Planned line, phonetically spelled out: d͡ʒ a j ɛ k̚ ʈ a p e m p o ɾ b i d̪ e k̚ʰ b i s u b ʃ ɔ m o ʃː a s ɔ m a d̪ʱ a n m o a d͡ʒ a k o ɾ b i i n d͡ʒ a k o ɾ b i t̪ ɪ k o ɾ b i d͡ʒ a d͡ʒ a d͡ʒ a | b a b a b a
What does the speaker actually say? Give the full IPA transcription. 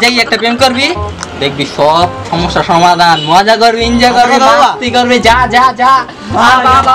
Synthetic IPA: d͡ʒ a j ɛ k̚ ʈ a p e m k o ɾ b i d̪ e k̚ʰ b i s ɔ b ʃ ɔ m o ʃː a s ɔ m a d̪ʱ a n m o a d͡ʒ a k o ɾ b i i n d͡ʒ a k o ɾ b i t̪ i k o ɾ b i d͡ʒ a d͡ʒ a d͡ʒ a | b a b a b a